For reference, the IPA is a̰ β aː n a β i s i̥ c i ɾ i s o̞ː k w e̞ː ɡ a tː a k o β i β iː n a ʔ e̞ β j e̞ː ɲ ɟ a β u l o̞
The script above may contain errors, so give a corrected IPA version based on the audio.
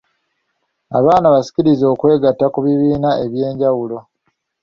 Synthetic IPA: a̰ β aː n a β a s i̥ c i ɾ i z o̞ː k w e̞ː ɡ a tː a k u β i β iː n a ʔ e̞ β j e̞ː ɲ ɟ a w u l o̞